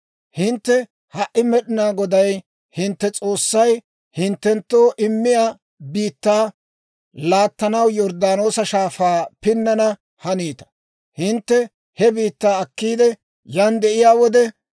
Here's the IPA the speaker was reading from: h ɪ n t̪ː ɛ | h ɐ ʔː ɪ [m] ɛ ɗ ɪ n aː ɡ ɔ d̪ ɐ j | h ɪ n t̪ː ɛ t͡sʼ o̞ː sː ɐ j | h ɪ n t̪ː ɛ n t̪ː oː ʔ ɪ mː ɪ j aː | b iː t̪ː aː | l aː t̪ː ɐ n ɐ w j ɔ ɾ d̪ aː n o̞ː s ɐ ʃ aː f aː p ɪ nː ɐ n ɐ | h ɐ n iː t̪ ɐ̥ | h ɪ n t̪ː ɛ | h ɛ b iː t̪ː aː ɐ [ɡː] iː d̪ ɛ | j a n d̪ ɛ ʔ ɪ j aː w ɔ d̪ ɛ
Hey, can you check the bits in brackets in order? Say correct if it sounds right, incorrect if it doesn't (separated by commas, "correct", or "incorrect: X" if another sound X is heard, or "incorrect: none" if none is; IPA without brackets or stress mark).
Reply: correct, incorrect: kː